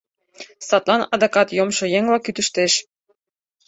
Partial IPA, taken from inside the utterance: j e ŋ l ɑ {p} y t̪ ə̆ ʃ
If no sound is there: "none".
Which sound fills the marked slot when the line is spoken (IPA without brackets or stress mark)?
k